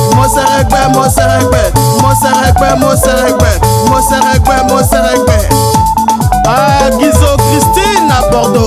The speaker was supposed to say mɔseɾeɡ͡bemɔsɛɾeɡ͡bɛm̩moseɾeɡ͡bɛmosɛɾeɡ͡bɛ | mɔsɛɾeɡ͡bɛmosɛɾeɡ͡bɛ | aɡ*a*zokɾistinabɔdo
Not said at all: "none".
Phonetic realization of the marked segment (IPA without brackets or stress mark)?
i